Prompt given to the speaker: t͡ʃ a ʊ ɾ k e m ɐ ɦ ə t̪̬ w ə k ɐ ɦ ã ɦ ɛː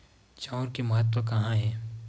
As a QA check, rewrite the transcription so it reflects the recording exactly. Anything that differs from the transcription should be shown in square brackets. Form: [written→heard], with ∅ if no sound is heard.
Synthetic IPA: t͡ʃ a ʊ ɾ k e m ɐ ɦ ə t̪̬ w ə k ɐ ɦ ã ɦ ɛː